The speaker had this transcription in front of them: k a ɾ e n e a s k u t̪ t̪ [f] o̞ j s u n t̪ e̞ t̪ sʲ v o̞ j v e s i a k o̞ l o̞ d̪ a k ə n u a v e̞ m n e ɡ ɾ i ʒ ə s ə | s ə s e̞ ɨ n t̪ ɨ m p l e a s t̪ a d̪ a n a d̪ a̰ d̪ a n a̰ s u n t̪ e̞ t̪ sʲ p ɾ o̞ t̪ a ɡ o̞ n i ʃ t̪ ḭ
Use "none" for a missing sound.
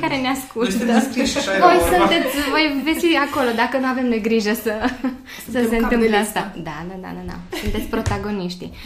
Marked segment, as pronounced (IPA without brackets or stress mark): v